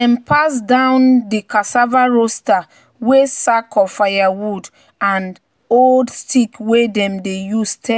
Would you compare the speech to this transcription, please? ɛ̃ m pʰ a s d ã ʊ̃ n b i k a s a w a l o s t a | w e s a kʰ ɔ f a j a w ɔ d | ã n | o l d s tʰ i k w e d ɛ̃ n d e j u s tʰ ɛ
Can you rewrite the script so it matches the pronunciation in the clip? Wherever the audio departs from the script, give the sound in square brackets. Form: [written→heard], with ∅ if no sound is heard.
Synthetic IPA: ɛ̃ m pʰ a s d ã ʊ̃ n [b→d] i k a s a [w→v] a [l→ɹ] o s t a | w e s a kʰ ɔ f a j a w [ɔ→u] d | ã n | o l d s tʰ i k w e d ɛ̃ [n→m] d e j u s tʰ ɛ